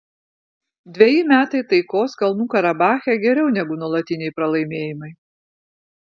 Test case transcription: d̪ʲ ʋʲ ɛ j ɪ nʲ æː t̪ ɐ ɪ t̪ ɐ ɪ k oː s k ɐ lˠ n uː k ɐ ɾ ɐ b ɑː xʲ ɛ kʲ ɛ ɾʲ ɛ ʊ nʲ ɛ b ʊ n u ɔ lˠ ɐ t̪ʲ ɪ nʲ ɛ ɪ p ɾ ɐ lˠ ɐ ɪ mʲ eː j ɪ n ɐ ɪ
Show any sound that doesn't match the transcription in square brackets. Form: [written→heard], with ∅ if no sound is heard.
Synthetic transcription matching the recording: d̪ʲ ʋʲ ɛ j ɪ [nʲ→mʲ] æː t̪ ɐ ɪ t̪ ɐ ɪ k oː s k ɐ lˠ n uː k ɐ ɾ ɐ b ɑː xʲ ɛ [kʲ→ɡʲ] ɛ ɾʲ ɛ ʊ nʲ ɛ [b→ɡ] ʊ n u ɔ lˠ ɐ t̪ʲ ɪ nʲ ɛ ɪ p ɾ ɐ lˠ ɐ ɪ mʲ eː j ɪ [n→m] ɐ ɪ